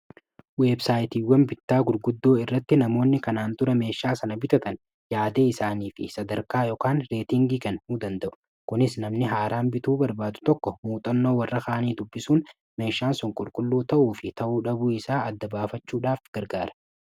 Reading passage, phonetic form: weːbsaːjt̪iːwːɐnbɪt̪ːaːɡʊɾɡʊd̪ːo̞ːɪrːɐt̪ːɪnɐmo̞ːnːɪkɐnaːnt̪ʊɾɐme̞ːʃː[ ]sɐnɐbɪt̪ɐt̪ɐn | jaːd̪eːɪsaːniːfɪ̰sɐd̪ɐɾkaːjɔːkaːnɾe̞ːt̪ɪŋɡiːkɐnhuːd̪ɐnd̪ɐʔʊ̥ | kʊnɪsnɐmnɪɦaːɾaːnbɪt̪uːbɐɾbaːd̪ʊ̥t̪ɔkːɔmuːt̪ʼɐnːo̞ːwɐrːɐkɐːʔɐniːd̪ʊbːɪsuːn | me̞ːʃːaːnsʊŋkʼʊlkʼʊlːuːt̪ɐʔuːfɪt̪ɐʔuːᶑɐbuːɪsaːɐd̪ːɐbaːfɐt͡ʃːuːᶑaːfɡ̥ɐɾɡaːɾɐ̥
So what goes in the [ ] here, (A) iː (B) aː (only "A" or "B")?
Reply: B